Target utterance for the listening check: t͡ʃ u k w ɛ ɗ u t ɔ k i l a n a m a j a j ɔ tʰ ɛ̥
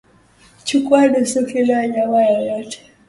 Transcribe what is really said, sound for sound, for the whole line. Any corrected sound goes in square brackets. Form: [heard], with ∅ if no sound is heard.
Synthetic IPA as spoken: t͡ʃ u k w [a] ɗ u [s] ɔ k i l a [ɲ] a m a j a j ɔ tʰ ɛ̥